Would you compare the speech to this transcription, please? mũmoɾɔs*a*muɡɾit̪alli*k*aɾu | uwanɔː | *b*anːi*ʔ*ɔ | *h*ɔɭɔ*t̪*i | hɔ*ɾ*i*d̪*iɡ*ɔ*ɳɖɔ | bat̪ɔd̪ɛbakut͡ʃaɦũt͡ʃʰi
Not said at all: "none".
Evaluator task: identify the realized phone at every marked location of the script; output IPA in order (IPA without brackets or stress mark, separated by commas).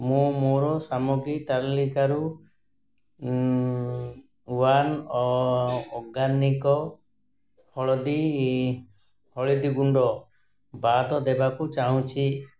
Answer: a, k, ɡ, k, h, d̪, ɭ, d̪, u